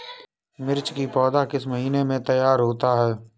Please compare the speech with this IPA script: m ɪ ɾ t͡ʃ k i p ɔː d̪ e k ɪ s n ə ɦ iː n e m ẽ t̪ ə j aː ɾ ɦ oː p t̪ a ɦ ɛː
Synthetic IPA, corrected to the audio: m ɪ ɾ t͡ʃ k i p ɔː d̪ a k ɪ s m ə ɦ iː n e m ẽ t̪ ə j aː ɾ ɦ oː t̪ a ɦ ɛː